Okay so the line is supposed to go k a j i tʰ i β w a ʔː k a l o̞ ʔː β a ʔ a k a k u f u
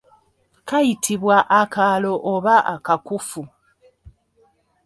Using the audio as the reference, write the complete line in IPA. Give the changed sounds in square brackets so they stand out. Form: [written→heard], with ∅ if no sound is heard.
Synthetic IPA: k a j i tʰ i β w a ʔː k a l o̞ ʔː β a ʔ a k a k u f u